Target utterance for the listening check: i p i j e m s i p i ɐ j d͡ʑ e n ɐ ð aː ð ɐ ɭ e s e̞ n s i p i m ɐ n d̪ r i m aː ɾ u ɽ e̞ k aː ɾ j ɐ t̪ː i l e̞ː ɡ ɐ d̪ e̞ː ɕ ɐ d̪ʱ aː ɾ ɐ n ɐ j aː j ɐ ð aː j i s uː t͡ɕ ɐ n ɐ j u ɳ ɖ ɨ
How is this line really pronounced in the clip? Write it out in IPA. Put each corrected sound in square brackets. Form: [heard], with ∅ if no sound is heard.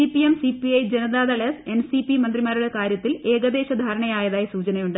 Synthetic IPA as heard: i p i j e m s i p i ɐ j d͡ʑ e n ɐ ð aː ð ɐ ɭ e s e̞ n s i p i m ɐ n d̪ r i m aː ɾ u ɽ e̞ k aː ɾ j ɐ t̪ː i l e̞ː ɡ ɐ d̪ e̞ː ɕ ɐ d̪ʱ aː ɾ ɐ [ɳ] ɐ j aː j ɐ ð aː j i s uː t͡ɕ ɐ n ɐ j u ɳ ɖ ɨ

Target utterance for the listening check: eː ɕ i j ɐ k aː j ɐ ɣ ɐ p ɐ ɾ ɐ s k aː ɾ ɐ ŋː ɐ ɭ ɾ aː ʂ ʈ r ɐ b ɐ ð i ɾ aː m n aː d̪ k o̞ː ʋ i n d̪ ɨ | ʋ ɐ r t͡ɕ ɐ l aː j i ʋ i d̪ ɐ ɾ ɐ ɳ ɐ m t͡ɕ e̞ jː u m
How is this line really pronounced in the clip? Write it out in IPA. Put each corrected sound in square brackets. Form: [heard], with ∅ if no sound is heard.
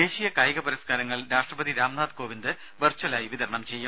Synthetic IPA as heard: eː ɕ i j ɐ k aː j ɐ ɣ ɐ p ɐ ɾ ɐ s k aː ɾ ɐ ŋː ɐ ɭ ɾ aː ʂ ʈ r ɐ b ɐ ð i ɾ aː m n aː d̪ k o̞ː ʋ i n d̪ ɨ | ʋ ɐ r t͡ɕ ɐ l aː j i ʋ i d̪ ɐ ɾ ɐ ɳ ɐ m t͡ɕ e̞ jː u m

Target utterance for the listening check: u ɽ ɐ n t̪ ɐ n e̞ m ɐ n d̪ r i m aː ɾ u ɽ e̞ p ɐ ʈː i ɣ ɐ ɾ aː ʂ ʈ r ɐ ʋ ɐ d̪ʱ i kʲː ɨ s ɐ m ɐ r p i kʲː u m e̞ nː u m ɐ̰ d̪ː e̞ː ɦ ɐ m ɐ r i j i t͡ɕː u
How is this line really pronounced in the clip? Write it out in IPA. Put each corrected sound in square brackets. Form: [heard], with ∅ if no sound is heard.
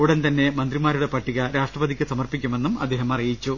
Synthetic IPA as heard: u ɽ ɐ n t̪ ɐ [nː] e̞ m ɐ n d̪ r i m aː ɾ u ɽ e̞ p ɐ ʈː i ɣ ɐ ɾ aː ʂ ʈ r ɐ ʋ ɐ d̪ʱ i kʲː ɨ s ɐ m ɐ r p i kʲː u m e̞ nː u m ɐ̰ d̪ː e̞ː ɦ ɐ m ɐ r i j i t͡ɕː u

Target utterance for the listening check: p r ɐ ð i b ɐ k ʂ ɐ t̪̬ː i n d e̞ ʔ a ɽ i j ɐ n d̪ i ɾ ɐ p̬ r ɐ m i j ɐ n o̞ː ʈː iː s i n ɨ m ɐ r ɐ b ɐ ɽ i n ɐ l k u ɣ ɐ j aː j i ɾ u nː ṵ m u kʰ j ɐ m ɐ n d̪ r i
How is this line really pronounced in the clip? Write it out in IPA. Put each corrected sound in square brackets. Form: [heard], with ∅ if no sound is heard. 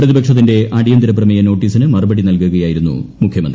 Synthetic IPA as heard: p r ɐ ð i b ɐ k ʂ ɐ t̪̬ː i n d e̞ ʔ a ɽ i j ɐ n d̪ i ɾ ɐ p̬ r ɐ m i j ɐ n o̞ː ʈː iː s i n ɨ m ɐ r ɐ b ɐ ɽ i n ɐ l k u ɣ ɐ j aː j i ɾ u nː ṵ m u kʰ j ɐ m ɐ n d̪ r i

